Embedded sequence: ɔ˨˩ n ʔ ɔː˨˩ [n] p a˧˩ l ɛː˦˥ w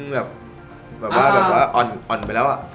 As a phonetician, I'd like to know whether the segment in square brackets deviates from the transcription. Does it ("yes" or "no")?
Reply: no